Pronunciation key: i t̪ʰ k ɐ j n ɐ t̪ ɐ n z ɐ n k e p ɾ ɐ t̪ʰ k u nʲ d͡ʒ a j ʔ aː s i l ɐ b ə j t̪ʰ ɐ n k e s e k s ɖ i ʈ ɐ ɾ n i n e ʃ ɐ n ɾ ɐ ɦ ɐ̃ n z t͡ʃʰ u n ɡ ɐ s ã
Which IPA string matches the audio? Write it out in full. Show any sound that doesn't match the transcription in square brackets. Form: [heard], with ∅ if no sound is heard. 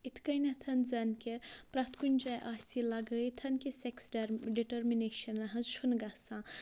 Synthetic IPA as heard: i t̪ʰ k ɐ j n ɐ [t̪ʰ] ɐ n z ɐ n k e p ɾ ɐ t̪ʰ k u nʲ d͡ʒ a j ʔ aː s i l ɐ [ɡ] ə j t̪ʰ ɐ n k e s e k s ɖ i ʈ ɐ ɾ [m] i n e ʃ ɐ n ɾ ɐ ɦ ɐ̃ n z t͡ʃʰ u n ɡ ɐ s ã